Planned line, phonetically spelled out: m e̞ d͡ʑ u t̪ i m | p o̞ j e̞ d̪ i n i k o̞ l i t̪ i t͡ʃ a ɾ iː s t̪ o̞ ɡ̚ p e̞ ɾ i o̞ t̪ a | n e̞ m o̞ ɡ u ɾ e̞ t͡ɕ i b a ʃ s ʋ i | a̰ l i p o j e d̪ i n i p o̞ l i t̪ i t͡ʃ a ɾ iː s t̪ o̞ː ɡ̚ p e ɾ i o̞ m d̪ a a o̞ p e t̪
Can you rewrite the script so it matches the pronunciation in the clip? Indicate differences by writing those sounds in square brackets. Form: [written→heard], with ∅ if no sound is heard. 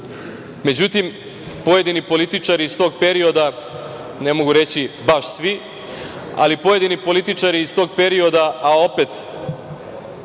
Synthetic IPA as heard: m e̞ d͡ʑ u t̪ i m | p o̞ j e̞ d̪ i n i [k→p] o̞ l i t̪ i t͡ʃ a ɾ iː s t̪ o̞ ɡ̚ p e̞ ɾ i o̞ [t̪→d̪] a | n e̞ m o̞ ɡ u ɾ e̞ t͡ɕ i b a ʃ s ʋ i | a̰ l i p o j e d̪ i n i p o̞ l i t̪ i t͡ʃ a ɾ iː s t̪ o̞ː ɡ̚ p e ɾ i o̞ [m→∅] d̪ a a o̞ p e t̪